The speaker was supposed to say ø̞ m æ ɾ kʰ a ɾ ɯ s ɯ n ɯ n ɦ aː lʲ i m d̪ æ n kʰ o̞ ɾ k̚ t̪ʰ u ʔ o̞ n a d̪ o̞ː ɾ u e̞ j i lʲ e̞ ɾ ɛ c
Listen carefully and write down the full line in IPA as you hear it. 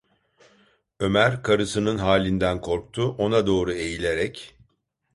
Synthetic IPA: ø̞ m æ ɾ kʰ a ɾ ɯ s ɯ n ɯ n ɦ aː lʲ i n d̪ æ n kʰ o̞ ɾ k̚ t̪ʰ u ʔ o̞ n a d̪ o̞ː ɾ u e̞ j i lʲ e̞ ɾ ɛ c